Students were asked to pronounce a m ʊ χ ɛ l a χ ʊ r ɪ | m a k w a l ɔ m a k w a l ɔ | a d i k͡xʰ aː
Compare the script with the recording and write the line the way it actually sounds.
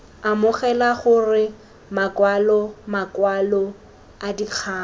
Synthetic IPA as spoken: a m ʊ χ ɛ l a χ ʊ r ɪ | m a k w a l ɔ m a k w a l ɔ | a d i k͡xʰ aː